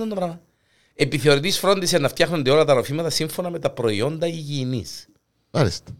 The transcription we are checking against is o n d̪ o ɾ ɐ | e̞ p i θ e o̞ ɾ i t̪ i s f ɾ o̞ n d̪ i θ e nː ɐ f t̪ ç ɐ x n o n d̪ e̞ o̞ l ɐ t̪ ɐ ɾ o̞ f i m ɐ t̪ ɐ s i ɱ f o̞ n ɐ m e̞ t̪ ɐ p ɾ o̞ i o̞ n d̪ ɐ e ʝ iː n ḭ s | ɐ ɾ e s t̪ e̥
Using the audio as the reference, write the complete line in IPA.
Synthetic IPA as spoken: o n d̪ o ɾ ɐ | e̞ p i θ e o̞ ɾ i t̪ i s f ɾ o̞ n d̪ i s e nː ɐ f t̪ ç ɐ x n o n d̪ e̞ o̞ l ɐ t̪ ɐ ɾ o̞ f i m ɐ t̪ ɐ s i ɱ f o̞ n ɐ m e̞ t̪ ɐ p ɾ o̞ i o̞ n d̪ ɐ i ʝ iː n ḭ s | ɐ ɾ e s t̪ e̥